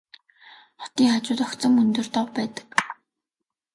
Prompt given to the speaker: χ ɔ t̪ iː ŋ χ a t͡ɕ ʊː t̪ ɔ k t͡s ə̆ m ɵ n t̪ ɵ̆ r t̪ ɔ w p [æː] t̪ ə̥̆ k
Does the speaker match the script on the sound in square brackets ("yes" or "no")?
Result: yes